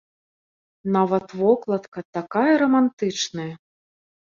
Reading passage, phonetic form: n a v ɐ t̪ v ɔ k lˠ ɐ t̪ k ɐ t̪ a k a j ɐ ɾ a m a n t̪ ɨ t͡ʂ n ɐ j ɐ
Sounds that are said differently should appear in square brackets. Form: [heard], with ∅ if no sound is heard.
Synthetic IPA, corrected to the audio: n a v ɐ t̪ v ɔ k lˠ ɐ t̪ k ɐ t̪ a k a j ɐ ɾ [ɐ] m a n t̪ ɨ t͡ʂ n ɐ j ɐ